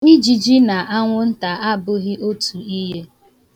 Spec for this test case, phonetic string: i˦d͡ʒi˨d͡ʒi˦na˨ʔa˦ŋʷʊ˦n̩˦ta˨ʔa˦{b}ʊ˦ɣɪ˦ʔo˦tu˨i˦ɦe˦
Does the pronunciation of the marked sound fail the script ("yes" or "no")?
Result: no